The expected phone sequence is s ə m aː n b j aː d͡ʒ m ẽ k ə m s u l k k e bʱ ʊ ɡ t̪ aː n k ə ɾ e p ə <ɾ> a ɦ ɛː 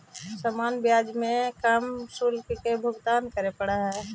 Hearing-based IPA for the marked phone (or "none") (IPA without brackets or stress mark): ɽ